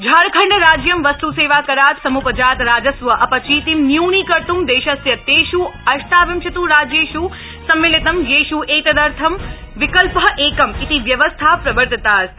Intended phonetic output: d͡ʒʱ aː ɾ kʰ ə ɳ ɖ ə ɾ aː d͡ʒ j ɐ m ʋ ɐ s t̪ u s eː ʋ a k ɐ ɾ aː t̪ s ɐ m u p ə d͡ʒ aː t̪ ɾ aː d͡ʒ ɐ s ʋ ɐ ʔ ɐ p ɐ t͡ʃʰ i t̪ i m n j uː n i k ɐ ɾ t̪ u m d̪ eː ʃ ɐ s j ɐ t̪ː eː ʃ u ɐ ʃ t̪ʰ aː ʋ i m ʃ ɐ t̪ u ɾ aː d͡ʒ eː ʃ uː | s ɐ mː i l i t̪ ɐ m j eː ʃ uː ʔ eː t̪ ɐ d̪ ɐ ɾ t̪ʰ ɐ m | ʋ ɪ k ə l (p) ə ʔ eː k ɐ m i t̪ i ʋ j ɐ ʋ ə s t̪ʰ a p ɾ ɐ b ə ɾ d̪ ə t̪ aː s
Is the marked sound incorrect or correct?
correct